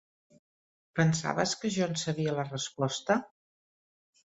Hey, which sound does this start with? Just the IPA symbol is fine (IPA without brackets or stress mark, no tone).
p